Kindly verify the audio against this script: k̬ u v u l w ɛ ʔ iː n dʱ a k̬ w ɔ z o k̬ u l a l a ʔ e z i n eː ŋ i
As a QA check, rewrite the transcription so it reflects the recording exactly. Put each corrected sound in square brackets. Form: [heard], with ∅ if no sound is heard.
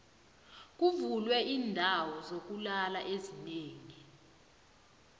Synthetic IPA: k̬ u v u l w ɛ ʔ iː n dʱ a [∅] w ɔ z o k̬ u l a l a ʔ e z i n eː ŋ i